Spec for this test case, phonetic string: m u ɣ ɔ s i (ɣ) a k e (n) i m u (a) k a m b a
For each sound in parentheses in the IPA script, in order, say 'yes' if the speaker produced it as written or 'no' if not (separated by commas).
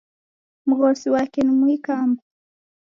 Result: no, yes, no